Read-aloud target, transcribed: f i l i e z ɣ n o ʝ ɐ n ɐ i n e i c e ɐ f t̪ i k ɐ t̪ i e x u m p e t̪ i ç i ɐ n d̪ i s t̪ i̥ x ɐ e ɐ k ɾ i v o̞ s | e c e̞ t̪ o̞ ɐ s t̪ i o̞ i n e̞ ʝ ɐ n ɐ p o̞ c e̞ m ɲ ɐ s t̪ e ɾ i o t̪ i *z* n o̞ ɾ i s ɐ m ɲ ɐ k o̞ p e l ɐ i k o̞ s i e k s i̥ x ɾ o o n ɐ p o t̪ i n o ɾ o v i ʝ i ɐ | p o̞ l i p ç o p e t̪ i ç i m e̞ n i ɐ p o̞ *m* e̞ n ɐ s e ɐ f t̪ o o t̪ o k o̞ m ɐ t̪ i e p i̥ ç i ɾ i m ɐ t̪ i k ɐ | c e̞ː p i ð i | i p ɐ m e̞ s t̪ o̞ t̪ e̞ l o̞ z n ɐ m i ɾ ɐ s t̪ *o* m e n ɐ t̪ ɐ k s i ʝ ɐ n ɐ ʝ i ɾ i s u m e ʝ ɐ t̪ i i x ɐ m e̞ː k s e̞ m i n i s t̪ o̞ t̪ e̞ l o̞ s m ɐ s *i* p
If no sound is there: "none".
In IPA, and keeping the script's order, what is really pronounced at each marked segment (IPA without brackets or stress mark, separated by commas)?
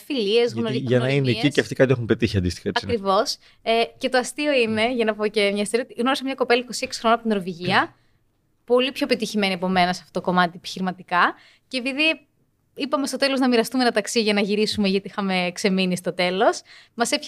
ɣ, m, u, e